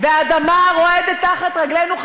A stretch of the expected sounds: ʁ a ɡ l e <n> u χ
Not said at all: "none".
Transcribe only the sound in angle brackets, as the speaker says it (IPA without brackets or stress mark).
n